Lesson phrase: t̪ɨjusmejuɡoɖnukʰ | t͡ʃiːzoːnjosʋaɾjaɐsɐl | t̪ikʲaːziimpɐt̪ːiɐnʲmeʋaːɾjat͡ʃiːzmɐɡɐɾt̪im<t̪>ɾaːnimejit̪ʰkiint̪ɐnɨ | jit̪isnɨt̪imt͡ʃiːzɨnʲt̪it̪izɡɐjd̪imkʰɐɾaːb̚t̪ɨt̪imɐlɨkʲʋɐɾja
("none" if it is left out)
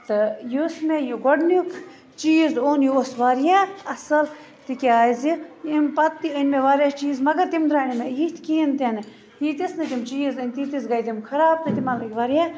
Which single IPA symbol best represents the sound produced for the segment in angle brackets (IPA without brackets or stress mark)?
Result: d̪